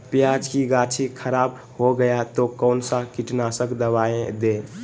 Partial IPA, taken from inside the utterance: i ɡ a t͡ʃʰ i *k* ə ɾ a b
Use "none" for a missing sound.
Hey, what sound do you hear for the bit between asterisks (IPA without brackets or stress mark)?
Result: kʰ